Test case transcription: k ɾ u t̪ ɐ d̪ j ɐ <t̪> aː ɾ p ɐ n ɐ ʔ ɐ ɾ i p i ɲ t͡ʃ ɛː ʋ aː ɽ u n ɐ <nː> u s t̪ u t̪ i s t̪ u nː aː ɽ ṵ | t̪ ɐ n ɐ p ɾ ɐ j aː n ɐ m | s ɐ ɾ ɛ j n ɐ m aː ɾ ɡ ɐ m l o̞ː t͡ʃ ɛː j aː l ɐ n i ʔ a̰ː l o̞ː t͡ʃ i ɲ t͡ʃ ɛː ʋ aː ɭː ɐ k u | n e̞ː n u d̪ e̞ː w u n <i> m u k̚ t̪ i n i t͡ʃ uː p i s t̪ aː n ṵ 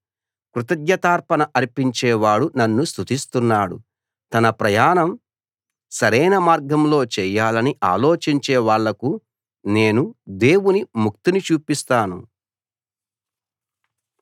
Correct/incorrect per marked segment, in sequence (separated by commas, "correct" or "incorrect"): correct, correct, correct